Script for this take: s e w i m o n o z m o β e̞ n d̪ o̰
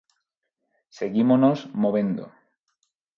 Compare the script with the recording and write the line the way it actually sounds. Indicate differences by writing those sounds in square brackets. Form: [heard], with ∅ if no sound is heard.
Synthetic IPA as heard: s e [ɣ] i m o n o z m o β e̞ n d̪ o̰

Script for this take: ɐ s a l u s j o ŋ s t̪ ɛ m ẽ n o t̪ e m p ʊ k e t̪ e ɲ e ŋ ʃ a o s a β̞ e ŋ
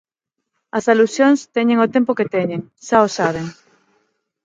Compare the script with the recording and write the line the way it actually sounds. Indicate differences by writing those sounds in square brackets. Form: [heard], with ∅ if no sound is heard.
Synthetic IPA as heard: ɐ s a l u s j o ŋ s t̪ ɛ [ɲ] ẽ [ŋ] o t̪ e m p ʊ k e t̪ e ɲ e ŋ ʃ a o s a β̞ e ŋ

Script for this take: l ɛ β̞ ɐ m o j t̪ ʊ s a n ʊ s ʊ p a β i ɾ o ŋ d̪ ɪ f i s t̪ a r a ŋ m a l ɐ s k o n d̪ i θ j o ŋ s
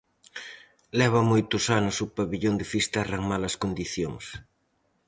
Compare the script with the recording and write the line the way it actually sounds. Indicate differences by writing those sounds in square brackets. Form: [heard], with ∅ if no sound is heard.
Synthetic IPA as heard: l ɛ β̞ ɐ m o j t̪ ʊ s a n ʊ s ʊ p a β i [ʎ] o [n] d̪ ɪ f i s t̪ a r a ŋ m a l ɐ s k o n d̪ i θ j o ŋ s

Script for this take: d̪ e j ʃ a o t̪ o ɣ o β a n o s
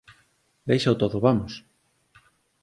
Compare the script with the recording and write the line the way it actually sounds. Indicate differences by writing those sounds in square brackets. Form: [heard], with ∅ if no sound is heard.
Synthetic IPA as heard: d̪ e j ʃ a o t̪ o [ð] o β a [m] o s

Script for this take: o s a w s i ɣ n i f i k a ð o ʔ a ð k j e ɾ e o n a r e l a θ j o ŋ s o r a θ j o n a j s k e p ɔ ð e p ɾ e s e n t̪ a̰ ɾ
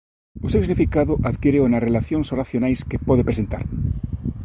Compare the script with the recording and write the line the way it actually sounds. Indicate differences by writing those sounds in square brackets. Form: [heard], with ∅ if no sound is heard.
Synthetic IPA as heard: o s [e] w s i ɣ n i f i k a ð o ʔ a ð k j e ɾ e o n a r e l a θ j o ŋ s o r a θ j o n a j s k e p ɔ ð e p ɾ e s e n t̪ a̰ ɾ

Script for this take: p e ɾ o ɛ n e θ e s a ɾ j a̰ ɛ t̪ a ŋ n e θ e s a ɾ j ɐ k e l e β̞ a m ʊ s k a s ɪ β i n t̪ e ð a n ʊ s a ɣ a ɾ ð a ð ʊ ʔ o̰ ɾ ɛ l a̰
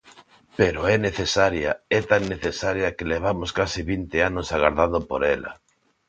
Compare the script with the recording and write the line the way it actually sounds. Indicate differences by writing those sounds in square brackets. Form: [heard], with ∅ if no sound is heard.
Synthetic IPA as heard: p e ɾ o ɛ n e θ e s a ɾ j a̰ ɛ t̪ a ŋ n e θ e s a ɾ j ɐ k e l e β̞ a m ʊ s k a s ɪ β i n t̪ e [∅] a n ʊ s a ɣ a ɾ ð a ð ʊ [p] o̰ ɾ ɛ l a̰

